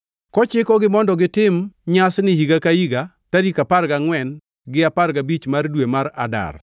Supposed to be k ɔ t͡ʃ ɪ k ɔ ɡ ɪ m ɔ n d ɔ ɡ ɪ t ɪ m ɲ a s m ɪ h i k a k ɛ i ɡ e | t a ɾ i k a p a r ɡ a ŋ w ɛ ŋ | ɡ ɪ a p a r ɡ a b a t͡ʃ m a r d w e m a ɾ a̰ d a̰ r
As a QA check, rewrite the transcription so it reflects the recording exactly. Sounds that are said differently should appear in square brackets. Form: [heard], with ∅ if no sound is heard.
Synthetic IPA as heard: k ɔ t͡ʃ ɪ k ɔ ɡ ɪ m ɔ n d ɔ ɡ ɪ t ɪ m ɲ a s [n] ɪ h i [ɡ] a k [a] i ɡ [a] | t a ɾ i k a p a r ɡ a ŋ w ɛ [n] | ɡ ɪ a p a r ɡ a b [i] t͡ʃ m a r d w e m a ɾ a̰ d a̰ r